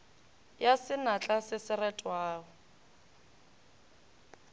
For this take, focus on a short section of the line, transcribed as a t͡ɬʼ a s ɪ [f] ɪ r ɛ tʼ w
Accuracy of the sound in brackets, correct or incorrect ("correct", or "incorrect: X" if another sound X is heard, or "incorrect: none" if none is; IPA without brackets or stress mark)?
incorrect: s